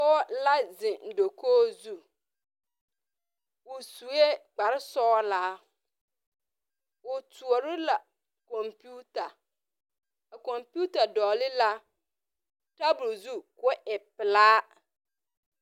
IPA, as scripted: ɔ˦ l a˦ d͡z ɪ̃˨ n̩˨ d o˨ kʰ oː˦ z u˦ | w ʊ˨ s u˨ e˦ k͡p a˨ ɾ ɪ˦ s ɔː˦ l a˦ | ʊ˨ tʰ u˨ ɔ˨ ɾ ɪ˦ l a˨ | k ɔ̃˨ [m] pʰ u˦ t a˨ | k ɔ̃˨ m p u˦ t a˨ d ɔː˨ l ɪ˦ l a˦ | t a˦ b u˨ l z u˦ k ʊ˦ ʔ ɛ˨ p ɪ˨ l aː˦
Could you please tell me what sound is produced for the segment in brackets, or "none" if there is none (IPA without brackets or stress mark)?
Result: m